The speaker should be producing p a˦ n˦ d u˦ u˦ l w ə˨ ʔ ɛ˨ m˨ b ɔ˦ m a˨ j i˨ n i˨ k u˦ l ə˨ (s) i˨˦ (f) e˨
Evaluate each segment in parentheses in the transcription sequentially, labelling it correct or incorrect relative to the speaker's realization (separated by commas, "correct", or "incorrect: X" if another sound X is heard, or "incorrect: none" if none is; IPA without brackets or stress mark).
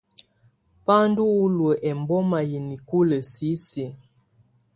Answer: correct, incorrect: s